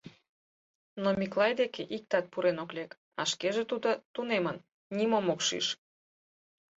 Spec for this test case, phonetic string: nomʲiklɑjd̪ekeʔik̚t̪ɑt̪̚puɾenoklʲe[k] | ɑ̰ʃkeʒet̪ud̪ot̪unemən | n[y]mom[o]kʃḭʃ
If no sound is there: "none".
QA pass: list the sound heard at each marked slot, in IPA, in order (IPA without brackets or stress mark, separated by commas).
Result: k, i, o